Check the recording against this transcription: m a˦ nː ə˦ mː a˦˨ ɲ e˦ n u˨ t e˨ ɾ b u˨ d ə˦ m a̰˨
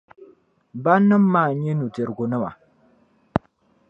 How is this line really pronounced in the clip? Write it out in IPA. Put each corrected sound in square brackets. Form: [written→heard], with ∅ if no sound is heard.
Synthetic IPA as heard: [m→b] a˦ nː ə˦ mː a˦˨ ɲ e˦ n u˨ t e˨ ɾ [b→ɡ] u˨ [d→n] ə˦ m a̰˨